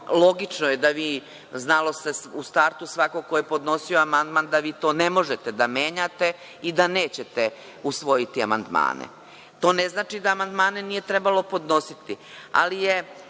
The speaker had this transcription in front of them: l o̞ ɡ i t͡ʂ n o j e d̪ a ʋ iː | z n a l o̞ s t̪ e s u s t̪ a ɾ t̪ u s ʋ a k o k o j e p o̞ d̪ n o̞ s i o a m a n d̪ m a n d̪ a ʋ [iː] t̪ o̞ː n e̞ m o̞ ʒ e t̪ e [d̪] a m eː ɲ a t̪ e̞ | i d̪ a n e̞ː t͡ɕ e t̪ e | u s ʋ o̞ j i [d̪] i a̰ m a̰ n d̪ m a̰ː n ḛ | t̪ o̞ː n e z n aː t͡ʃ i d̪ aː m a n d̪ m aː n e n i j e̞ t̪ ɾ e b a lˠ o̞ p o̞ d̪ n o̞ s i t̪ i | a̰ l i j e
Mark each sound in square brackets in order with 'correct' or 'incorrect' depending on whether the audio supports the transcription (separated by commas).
correct, correct, incorrect